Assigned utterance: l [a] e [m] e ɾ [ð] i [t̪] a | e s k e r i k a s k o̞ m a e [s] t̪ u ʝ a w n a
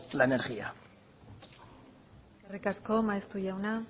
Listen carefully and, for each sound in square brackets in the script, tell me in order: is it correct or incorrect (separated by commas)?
correct, incorrect, incorrect, incorrect, correct